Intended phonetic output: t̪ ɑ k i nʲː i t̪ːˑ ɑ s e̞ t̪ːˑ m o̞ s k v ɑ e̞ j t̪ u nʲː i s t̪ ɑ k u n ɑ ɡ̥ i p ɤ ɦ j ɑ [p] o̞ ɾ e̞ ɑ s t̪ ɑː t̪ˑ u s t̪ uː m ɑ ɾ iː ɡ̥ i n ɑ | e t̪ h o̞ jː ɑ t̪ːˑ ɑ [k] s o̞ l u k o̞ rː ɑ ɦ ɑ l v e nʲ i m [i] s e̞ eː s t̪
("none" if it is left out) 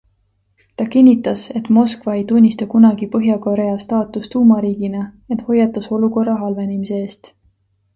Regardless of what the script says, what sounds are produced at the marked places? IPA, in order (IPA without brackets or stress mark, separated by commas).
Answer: k, none, i